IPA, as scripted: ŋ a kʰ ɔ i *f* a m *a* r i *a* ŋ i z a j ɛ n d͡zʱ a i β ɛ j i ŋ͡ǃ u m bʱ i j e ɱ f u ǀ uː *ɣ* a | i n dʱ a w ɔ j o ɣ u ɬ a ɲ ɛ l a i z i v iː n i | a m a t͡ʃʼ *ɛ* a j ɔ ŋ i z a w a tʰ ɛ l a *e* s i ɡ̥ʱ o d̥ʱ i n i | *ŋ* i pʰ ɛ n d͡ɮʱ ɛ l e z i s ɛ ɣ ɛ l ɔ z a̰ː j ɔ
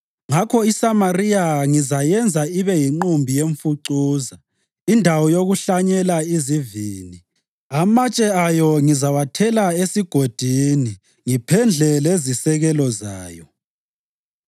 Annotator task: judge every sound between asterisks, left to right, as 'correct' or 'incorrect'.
incorrect: s, correct, correct, incorrect: z, correct, correct, correct

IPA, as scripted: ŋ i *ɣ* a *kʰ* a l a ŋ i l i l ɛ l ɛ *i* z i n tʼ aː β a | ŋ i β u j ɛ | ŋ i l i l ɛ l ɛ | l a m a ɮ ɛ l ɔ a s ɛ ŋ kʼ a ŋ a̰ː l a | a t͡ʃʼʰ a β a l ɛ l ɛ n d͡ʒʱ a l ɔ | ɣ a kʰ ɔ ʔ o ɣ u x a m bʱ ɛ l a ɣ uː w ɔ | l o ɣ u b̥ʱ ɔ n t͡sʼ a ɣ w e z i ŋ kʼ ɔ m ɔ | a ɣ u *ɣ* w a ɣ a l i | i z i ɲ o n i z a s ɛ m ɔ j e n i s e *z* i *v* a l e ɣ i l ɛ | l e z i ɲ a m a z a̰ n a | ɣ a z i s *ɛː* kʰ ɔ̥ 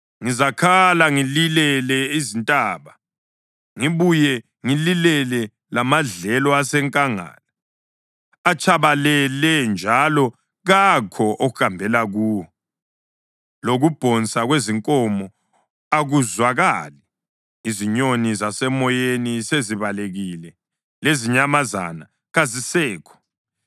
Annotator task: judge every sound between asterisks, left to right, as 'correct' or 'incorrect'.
incorrect: z, correct, correct, incorrect: z, correct, incorrect: β, correct

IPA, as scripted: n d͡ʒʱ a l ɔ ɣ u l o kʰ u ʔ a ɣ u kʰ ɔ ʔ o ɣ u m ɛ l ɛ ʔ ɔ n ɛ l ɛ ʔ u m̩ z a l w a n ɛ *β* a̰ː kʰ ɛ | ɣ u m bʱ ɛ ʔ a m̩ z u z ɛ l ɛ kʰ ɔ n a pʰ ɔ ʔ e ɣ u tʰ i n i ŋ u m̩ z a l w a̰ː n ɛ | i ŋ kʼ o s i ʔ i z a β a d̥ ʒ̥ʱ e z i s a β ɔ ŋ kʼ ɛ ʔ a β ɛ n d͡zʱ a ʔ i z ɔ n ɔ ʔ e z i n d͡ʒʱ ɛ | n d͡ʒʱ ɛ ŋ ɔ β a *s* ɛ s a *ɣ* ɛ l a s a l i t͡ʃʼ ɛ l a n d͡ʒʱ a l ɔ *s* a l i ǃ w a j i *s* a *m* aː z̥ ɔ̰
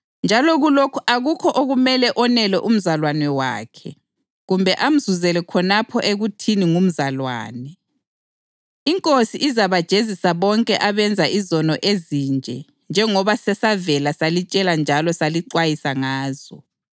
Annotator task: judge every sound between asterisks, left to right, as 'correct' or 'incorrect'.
incorrect: w, correct, incorrect: v, correct, correct, incorrect: ŋ

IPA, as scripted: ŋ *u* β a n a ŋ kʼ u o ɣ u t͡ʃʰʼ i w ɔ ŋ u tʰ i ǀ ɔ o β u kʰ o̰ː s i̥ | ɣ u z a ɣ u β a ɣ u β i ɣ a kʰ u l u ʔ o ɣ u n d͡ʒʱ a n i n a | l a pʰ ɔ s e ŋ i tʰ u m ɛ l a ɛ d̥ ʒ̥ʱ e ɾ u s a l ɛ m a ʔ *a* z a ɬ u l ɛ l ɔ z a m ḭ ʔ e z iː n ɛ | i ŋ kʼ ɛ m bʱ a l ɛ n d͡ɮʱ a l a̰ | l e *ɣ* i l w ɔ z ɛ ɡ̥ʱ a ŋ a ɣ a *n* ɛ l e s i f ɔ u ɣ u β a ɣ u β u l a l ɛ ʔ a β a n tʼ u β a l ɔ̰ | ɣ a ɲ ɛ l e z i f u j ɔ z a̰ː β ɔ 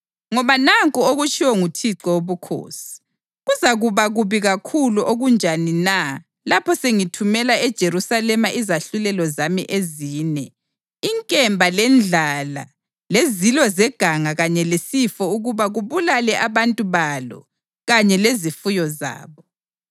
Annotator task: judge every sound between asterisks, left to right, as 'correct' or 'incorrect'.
incorrect: ɔ, incorrect: i, incorrect: z, incorrect: ɲ

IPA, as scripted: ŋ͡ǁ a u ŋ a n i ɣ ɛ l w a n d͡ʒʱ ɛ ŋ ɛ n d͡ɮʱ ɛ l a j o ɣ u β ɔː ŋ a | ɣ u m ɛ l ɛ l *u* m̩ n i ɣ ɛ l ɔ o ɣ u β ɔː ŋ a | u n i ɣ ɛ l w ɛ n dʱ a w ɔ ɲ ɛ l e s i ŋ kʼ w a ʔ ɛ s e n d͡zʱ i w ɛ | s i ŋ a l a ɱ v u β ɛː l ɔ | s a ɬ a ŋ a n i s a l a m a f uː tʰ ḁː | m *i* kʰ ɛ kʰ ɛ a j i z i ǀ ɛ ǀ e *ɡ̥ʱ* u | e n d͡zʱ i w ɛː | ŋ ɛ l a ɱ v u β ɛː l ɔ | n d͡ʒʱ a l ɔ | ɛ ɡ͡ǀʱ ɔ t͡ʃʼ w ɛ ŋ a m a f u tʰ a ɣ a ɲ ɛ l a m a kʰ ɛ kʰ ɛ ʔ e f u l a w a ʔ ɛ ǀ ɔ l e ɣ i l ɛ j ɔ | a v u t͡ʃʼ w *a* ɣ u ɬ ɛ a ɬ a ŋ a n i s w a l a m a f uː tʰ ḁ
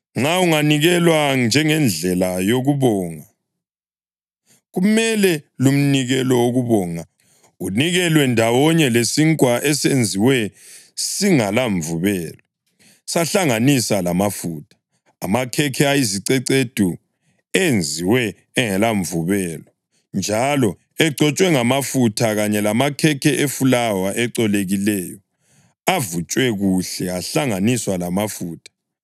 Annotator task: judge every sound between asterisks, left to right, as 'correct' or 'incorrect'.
correct, incorrect: a, incorrect: d̥ʱ, incorrect: ɛ

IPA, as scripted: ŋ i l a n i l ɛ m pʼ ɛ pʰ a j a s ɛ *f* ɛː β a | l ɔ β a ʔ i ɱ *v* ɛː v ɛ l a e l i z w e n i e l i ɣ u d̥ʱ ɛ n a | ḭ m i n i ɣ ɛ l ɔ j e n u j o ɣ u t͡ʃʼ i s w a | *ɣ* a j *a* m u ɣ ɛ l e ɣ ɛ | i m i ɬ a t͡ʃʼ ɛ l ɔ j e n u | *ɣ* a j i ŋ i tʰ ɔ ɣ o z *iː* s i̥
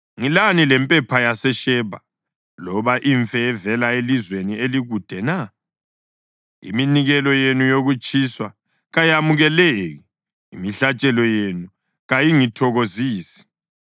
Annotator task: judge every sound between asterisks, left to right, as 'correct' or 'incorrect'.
incorrect: ʃ, incorrect: f, correct, correct, correct, correct

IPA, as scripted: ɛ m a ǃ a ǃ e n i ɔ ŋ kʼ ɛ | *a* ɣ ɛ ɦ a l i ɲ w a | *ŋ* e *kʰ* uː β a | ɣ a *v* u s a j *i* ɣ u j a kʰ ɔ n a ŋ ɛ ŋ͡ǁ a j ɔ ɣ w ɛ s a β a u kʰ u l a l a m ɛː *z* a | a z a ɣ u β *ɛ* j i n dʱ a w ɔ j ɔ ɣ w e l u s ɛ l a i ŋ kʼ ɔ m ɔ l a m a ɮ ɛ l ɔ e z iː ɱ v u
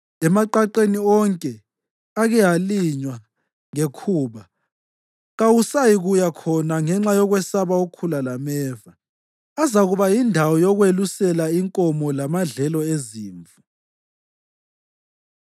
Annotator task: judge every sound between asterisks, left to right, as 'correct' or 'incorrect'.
correct, correct, correct, incorrect: w, correct, incorrect: v, incorrect: a

